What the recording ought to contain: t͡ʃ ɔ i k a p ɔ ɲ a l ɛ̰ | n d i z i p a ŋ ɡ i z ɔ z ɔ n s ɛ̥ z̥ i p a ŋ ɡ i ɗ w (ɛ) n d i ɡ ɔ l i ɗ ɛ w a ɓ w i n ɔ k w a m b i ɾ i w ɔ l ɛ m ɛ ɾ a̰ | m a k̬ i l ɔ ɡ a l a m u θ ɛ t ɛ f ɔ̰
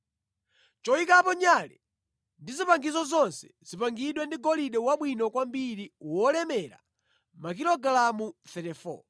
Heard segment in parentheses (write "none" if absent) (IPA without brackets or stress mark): ɛ